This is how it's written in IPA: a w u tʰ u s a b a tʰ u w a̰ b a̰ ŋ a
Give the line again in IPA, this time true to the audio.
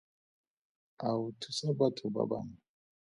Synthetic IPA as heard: a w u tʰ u s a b a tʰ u b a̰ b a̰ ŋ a